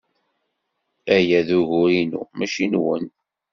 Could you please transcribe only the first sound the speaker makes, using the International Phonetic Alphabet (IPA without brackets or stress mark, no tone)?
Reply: æ